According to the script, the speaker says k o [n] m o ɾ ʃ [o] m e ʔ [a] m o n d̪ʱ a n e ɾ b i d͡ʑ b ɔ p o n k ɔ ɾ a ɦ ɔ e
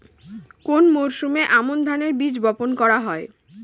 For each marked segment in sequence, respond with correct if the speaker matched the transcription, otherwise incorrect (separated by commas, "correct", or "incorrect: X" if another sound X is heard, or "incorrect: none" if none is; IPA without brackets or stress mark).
correct, incorrect: u, correct